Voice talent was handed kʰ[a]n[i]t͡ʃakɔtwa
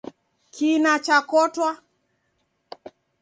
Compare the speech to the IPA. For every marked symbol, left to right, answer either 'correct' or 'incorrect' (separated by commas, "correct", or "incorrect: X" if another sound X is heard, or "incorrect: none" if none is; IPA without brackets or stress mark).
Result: incorrect: i, incorrect: a